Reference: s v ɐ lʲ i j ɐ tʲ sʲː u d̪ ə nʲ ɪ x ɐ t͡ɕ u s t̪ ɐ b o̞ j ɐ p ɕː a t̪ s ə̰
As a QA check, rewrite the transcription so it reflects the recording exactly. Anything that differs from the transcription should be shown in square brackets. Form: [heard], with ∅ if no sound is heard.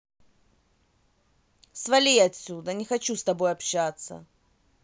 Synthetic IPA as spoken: s v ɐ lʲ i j ɐ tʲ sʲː u d̪ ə nʲ ɪ x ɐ t͡ɕ u s t̪ ɐ b o̞ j ɐ p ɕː a t̪ s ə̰